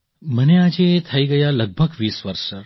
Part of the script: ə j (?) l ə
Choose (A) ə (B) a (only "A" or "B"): B